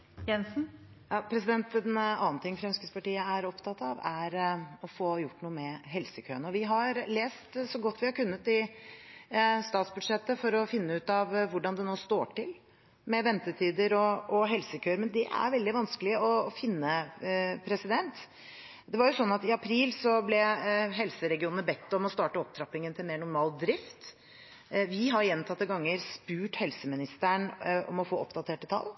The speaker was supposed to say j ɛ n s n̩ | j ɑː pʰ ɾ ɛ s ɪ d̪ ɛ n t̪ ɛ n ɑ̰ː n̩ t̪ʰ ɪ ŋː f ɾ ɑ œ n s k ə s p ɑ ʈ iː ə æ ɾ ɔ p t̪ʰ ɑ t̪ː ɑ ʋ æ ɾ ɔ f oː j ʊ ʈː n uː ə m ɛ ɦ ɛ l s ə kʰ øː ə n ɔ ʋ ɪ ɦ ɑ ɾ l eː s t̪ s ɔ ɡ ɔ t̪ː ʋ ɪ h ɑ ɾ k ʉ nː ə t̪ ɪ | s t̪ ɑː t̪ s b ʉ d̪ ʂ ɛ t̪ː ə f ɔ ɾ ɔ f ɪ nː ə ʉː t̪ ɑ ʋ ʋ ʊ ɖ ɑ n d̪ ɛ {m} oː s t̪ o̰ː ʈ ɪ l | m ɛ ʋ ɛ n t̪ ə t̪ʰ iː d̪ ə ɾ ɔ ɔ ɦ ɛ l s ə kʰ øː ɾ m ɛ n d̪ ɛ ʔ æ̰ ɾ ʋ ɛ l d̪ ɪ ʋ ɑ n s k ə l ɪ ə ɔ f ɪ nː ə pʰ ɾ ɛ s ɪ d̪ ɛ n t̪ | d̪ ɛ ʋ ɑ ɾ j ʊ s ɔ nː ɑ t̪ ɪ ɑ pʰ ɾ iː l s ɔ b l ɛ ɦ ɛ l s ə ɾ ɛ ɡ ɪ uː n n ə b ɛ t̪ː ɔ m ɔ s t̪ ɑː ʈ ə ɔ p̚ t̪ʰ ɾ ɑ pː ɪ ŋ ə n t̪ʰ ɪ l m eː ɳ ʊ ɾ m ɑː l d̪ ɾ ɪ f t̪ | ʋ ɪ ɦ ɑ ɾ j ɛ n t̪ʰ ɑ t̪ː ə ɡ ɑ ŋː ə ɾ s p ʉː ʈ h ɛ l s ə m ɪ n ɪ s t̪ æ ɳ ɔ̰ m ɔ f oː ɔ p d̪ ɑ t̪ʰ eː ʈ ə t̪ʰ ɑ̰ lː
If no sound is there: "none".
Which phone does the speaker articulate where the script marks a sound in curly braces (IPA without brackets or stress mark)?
n